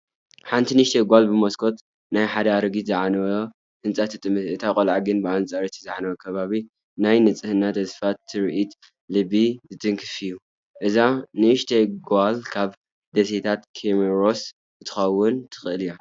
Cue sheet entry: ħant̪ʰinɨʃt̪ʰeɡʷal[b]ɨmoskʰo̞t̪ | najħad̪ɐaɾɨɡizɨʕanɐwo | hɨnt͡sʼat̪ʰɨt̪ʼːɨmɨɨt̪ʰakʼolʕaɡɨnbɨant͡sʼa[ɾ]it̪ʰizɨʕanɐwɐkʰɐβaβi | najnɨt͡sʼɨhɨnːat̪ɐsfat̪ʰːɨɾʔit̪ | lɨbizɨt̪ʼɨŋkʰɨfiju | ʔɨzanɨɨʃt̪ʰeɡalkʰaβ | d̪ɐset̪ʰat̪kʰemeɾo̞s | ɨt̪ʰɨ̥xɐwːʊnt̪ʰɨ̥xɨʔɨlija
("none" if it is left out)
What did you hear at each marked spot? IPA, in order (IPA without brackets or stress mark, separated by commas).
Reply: b, ɾ